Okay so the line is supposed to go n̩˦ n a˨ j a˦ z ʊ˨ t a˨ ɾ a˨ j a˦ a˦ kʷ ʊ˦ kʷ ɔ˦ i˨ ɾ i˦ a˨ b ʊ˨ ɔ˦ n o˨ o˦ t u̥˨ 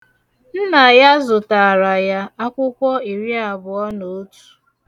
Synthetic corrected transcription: n̩˦ n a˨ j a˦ z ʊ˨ t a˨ ɾ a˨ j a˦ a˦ kʷ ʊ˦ kʷ ɔ˦ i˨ ɾ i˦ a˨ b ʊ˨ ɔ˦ n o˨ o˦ t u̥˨